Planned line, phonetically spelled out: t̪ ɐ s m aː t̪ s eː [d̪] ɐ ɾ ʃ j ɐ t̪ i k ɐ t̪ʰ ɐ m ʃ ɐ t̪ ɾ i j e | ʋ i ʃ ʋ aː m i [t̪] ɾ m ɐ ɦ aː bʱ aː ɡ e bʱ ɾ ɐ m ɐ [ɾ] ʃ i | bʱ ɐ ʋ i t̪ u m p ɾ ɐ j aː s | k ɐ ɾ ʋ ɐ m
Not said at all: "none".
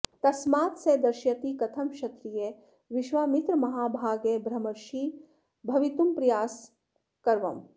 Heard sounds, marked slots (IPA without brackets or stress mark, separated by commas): d̪, t̪, ɾ